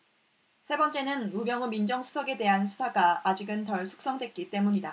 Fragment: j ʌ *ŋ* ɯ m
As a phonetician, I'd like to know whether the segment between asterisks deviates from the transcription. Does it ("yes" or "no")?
no